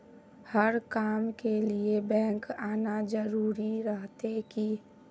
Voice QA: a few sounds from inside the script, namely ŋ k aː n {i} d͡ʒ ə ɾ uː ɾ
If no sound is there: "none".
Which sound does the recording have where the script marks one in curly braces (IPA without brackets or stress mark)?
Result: a